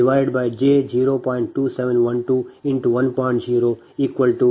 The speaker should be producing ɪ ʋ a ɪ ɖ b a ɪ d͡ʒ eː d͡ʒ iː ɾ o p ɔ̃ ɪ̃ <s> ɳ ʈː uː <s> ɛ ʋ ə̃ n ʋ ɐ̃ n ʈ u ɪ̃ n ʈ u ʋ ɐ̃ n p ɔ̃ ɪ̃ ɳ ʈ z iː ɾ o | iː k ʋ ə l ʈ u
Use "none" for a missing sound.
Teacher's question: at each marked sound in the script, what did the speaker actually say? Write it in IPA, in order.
none, s

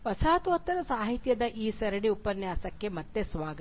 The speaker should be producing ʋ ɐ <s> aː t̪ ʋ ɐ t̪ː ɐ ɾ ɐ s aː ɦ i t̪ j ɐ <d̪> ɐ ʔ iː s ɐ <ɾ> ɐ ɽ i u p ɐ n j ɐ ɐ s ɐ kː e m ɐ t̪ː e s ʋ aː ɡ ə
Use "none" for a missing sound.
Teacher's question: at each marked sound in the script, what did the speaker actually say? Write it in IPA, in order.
s, d̪, ɾ

